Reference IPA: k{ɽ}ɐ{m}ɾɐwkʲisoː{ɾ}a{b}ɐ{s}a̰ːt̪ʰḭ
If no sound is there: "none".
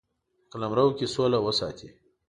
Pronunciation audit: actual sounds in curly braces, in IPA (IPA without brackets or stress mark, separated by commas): l, m, l, w, s